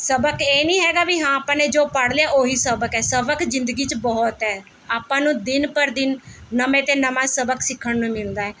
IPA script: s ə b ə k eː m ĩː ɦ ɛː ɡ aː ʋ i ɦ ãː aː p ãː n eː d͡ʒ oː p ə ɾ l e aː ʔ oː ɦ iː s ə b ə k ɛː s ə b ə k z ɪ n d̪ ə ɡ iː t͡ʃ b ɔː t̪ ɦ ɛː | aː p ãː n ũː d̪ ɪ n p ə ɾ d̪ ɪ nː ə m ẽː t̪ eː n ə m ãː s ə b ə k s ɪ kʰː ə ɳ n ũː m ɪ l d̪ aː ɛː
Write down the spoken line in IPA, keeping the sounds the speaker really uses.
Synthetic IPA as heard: s ə b ə k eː n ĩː ɦ ɛː ɡ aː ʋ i ɦ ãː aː p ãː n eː d͡ʒ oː p ə ɽ l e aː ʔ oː ɦ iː s ə b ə k ɛː s ə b ə k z ɪ n d̪ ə ɡ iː t͡ʃ b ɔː t̪ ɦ ɛː | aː p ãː n ũː d̪ ɪ n p ə ɾ d̪ ɪ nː ə m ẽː t̪ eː n ə m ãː s ə b ə k s ɪ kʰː ə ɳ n ũː m ɪ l d̪ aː ɛː